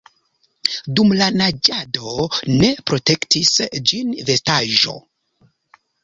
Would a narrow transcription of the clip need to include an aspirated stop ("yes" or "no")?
no